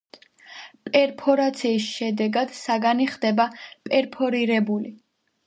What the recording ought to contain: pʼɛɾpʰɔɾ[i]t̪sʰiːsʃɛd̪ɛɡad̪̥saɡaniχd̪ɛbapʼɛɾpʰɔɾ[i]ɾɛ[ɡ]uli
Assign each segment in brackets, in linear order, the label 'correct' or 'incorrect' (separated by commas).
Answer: incorrect, correct, incorrect